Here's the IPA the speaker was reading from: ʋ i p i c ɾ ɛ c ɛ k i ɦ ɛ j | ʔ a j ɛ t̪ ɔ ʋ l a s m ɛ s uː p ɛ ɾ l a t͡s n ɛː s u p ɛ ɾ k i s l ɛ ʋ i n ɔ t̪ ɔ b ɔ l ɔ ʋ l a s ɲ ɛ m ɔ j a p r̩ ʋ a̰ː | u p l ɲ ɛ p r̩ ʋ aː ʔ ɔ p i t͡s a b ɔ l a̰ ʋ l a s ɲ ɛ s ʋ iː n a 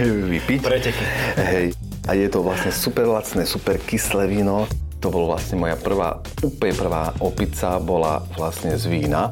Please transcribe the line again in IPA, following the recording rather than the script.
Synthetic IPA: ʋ i p i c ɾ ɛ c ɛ k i ɦ ɛ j | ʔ a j ɛ t̪ ɔ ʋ l a s ɲ ɛ s u p ɛ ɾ l a t͡s n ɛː s u p ɛ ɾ k i s l ɛ ʋ i n ɔ t̪ ɔ b ɔ l ɔ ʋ l a s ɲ ɛ m ɔ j a p r̩ ʋ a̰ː | u p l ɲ ɛ p r̩ ʋ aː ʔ ɔ p i t͡s a b ɔ l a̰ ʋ l a s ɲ ɛ z ʋ iː n a